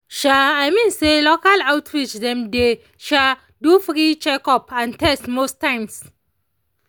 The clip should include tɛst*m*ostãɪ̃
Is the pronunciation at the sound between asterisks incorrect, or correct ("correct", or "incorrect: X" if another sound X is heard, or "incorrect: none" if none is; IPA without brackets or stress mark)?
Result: correct